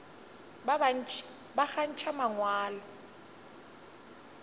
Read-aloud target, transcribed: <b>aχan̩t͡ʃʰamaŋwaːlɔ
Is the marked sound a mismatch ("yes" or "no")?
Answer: no